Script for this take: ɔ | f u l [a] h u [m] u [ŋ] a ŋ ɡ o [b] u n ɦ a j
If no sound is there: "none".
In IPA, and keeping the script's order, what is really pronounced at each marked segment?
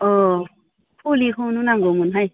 i, n, n, m

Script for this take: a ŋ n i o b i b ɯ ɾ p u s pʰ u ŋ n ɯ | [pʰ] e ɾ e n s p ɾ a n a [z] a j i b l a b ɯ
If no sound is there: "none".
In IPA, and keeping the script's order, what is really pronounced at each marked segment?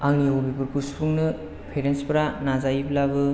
pʰ, z

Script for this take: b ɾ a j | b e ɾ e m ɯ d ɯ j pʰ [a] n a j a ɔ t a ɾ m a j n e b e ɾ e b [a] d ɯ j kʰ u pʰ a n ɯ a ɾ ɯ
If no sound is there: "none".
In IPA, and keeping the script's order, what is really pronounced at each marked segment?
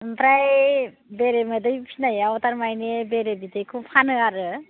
i, i

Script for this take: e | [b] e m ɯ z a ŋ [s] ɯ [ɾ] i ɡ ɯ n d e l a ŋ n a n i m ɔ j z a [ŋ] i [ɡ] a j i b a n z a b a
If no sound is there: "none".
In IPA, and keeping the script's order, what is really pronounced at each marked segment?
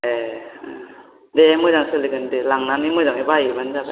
d, s, l, ŋ, b

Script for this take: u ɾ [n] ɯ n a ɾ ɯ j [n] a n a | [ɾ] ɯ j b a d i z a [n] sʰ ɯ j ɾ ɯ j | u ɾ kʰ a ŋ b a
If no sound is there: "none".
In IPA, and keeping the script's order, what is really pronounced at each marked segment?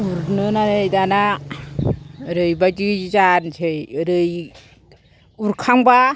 n, d, ɾ, n

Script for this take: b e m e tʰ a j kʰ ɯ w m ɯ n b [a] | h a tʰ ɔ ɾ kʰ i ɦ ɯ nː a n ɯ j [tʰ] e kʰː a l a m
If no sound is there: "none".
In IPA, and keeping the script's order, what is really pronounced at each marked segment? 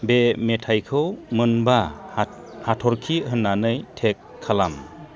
a, tʰ

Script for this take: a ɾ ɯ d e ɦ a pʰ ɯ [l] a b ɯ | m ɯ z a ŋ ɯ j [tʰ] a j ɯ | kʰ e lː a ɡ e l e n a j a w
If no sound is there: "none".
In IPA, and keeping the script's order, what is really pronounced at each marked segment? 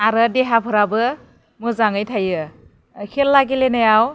ɾ, tʰ

